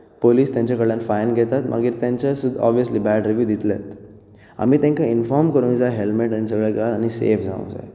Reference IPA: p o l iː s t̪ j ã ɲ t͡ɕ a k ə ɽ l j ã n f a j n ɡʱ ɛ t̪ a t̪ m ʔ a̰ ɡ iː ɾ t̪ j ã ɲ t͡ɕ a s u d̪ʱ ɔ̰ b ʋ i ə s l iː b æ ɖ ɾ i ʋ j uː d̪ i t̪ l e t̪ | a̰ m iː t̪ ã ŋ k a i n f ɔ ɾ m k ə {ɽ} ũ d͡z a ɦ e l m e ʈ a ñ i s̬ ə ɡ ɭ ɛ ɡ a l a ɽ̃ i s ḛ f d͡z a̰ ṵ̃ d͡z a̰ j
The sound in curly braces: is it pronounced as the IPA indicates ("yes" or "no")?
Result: no